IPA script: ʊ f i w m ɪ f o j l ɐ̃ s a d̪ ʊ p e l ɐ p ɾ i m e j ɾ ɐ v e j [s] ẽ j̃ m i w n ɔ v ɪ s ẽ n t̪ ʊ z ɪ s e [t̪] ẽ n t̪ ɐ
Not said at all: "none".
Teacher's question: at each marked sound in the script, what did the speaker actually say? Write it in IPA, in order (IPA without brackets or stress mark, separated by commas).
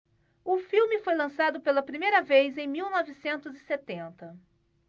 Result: z, t̪